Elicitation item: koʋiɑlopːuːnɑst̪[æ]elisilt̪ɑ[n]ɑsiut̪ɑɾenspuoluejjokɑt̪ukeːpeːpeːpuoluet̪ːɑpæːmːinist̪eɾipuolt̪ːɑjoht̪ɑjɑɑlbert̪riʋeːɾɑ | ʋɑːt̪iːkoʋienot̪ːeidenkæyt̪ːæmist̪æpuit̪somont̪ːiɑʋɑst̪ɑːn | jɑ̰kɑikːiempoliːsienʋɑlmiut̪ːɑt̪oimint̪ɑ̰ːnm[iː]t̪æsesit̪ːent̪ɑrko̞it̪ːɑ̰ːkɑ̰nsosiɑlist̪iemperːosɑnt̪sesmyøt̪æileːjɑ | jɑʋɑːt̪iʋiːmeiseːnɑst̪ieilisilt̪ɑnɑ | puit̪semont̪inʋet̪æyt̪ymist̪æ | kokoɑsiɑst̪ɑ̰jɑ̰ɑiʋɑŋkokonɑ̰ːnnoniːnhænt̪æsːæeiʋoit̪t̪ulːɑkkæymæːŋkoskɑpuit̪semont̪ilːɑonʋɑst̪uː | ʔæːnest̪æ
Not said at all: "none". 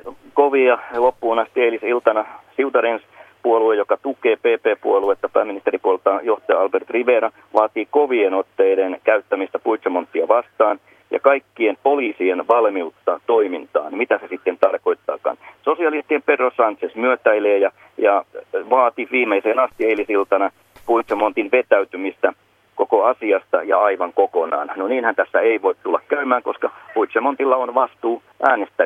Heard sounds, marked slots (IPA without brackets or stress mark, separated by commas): i, n, i